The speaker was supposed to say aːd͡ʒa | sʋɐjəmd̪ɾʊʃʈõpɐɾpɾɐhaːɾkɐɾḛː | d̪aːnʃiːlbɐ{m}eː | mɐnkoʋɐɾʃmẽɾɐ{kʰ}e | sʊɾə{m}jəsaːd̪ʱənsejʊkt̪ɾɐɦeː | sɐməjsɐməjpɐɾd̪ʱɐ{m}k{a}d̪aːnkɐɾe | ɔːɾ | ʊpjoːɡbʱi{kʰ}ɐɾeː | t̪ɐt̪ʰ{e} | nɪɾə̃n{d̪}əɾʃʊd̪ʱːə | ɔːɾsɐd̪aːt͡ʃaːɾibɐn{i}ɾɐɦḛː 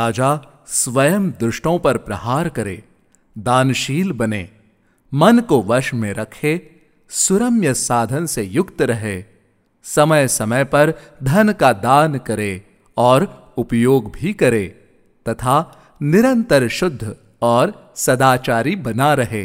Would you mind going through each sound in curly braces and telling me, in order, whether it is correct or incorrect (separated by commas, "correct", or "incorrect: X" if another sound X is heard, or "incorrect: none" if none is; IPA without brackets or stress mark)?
incorrect: n, correct, correct, incorrect: n, correct, incorrect: k, incorrect: a, incorrect: t̪, incorrect: a